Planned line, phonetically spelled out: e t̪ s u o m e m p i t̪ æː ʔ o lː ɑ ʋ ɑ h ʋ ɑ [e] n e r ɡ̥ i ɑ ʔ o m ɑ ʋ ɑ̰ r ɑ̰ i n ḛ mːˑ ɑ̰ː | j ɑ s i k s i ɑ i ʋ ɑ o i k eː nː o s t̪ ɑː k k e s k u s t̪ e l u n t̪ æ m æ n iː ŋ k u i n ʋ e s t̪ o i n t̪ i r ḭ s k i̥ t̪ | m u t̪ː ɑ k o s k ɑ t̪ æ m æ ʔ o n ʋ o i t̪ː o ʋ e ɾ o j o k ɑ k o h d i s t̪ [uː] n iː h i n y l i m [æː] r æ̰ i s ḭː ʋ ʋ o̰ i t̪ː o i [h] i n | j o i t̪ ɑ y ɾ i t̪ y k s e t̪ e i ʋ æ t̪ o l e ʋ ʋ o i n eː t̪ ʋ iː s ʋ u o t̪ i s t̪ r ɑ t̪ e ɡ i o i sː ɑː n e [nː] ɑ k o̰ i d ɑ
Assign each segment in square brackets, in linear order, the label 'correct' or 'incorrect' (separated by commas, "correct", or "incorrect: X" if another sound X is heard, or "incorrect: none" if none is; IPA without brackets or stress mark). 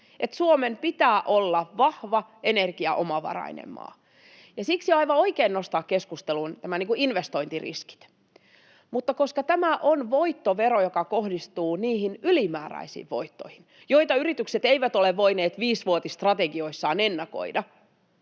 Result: correct, correct, correct, correct, correct